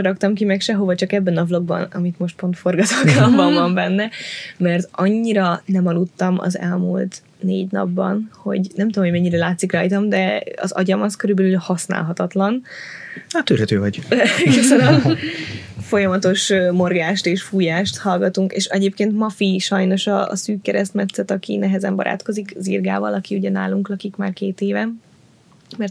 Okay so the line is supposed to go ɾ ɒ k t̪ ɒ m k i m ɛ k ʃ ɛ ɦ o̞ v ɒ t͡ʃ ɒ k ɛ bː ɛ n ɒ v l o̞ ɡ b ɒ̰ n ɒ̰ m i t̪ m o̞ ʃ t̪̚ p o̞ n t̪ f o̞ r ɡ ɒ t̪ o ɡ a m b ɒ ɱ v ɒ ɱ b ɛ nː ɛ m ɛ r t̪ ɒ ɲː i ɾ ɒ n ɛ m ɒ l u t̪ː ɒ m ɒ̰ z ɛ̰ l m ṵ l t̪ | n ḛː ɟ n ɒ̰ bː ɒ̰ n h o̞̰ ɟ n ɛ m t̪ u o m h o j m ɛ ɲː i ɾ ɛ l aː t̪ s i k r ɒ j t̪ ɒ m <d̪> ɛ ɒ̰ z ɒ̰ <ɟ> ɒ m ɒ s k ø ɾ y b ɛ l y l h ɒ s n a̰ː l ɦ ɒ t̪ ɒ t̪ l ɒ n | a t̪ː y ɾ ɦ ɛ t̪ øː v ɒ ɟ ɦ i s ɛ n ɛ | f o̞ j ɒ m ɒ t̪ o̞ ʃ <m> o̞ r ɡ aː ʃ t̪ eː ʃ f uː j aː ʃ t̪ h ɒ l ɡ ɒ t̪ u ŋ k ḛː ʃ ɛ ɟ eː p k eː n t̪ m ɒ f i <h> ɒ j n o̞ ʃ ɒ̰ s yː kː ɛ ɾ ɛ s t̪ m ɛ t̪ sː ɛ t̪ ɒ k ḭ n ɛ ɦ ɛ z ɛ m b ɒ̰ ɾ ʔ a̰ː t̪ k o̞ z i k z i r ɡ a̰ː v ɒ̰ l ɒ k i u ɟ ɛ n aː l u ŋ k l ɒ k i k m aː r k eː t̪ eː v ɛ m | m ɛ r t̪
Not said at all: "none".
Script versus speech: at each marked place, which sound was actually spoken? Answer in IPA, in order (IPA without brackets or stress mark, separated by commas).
d̪, ɟ, m, ʃ